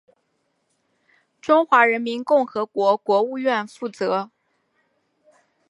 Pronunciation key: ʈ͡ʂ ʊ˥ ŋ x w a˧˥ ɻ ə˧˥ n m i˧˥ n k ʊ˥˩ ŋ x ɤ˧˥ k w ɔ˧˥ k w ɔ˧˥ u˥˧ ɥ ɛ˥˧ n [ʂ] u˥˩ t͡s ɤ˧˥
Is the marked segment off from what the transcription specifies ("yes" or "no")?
yes